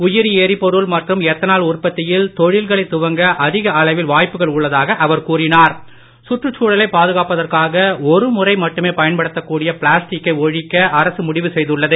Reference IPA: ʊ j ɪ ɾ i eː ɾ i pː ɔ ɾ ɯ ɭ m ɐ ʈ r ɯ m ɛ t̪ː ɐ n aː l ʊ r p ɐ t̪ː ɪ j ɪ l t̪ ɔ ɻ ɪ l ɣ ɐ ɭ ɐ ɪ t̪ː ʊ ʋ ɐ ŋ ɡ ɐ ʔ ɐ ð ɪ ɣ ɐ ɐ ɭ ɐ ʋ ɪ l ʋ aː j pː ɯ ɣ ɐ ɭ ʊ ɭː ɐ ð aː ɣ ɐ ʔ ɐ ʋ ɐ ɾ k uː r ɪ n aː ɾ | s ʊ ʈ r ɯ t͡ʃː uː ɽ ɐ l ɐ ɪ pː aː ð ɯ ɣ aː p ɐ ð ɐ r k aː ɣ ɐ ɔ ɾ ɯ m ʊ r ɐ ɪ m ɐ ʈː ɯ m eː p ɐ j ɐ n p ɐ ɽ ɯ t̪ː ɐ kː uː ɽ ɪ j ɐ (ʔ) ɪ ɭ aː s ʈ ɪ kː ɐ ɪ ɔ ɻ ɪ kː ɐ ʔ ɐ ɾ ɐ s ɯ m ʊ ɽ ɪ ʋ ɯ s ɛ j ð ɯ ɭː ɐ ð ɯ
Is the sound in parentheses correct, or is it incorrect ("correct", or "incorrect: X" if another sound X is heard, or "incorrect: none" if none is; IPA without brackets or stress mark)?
incorrect: p